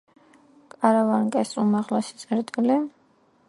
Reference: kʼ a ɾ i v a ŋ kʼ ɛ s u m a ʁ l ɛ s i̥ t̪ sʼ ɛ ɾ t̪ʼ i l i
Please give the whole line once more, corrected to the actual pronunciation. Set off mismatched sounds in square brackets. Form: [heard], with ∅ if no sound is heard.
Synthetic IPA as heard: kʼ a ɾ [a] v a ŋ kʼ ɛ s u m a ʁ l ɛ s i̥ t̪ sʼ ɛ ɾ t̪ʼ i l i